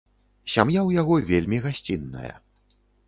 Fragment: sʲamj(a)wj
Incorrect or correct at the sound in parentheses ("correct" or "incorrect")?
correct